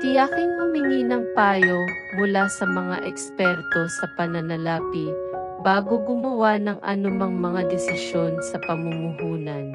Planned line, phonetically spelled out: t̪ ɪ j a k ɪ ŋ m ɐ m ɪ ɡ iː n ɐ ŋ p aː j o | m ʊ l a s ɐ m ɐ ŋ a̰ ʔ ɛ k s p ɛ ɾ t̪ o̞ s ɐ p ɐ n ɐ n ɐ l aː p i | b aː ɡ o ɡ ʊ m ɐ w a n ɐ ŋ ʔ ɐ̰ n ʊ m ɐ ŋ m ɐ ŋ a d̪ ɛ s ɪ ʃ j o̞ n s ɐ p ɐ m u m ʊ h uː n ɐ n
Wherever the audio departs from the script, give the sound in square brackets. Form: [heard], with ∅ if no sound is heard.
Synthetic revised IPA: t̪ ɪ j a k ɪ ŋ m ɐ m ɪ [ŋ] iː n ɐ ŋ p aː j o | m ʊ l a s ɐ m ɐ ŋ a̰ ʔ ɛ k s p ɛ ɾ t̪ o̞ s ɐ p ɐ n ɐ n ɐ l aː p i | b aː ɡ o ɡ ʊ m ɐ w a n ɐ ŋ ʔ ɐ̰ n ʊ m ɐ ŋ m ɐ ŋ a d̪ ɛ s ɪ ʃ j o̞ n s ɐ p ɐ m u m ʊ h uː n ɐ n